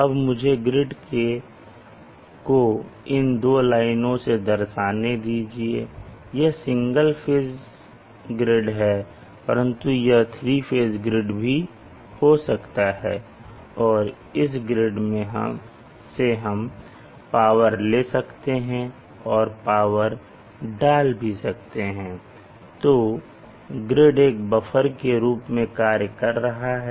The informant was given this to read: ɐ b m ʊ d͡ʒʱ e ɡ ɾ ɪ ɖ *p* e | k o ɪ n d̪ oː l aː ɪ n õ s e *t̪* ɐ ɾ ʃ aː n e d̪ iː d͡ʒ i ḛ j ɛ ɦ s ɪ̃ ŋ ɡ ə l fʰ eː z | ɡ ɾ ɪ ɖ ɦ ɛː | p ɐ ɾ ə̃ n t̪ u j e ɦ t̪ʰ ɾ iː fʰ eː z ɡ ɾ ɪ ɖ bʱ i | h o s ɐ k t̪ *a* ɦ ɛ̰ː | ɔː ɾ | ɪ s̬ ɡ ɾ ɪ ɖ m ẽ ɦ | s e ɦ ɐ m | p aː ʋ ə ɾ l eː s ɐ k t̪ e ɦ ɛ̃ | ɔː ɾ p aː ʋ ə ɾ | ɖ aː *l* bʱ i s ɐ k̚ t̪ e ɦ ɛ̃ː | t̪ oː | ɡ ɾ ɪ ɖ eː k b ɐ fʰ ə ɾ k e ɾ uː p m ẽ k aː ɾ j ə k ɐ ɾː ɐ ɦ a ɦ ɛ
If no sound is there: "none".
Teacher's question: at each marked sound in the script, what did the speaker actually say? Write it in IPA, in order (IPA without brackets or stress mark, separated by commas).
k, d̪, a, l